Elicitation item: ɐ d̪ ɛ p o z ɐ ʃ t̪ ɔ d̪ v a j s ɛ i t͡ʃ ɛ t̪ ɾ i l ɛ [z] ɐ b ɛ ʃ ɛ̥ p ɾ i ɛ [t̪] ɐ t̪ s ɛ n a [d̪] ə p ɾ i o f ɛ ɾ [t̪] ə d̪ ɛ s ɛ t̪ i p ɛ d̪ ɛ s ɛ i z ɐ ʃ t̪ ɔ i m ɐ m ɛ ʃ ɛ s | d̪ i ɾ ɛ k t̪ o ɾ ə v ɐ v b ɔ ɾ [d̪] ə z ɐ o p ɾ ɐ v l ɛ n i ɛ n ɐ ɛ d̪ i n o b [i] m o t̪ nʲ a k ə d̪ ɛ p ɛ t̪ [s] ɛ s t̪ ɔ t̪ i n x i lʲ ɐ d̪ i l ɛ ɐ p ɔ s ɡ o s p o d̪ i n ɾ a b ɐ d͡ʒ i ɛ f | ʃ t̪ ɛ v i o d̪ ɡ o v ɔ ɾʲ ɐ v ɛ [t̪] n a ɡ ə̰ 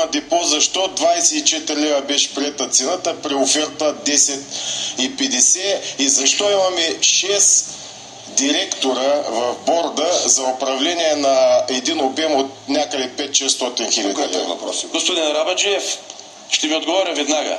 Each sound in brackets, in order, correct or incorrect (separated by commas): incorrect, correct, incorrect, correct, correct, incorrect, incorrect, incorrect